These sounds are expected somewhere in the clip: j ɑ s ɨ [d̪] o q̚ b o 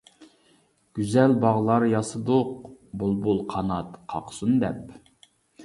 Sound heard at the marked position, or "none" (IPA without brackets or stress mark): d̪